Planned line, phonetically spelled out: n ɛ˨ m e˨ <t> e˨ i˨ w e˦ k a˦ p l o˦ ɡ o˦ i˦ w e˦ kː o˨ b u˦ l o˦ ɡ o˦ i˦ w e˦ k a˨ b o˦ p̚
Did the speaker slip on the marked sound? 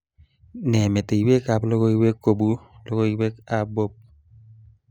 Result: no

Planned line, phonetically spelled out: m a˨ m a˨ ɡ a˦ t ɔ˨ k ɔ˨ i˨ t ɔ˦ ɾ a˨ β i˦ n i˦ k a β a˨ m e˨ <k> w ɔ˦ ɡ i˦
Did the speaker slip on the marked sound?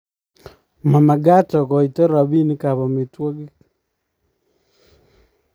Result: yes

